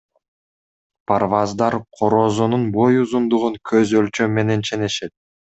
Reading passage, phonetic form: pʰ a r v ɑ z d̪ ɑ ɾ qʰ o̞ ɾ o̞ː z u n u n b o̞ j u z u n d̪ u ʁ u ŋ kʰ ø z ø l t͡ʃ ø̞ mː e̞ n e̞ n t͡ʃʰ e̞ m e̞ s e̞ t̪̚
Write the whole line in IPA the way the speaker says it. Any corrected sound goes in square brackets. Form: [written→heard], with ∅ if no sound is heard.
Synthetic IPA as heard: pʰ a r v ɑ z d̪ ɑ ɾ qʰ o̞ ɾ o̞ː z u n u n b o̞ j u z u n d̪ u ʁ u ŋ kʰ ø z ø l t͡ʃ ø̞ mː e̞ n e̞ n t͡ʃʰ e̞ [m→n] e̞ [s→ʃ] e̞ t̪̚